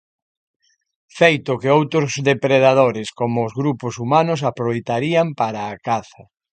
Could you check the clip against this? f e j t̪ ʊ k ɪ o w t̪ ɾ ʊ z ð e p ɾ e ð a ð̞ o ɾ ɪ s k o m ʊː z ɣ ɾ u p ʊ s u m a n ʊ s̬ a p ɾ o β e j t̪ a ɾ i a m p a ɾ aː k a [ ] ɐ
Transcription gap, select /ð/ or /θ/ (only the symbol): θ